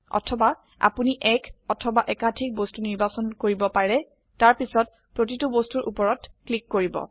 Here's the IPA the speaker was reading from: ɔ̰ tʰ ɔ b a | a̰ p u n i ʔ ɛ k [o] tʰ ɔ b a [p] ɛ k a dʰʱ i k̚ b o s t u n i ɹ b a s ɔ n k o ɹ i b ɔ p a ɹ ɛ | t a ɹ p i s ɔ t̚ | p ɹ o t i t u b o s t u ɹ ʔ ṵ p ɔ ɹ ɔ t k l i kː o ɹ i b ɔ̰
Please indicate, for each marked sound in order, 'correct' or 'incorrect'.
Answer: incorrect, incorrect

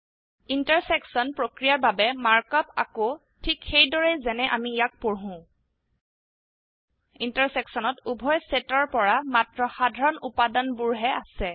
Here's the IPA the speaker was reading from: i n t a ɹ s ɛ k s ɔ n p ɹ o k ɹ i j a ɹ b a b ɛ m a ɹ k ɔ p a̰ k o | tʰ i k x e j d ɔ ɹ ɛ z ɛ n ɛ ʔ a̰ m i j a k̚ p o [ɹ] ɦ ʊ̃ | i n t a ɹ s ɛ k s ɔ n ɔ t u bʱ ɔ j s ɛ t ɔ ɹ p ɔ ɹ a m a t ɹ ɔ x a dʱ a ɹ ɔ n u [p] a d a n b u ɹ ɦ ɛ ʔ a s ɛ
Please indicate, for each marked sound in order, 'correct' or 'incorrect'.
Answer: correct, correct

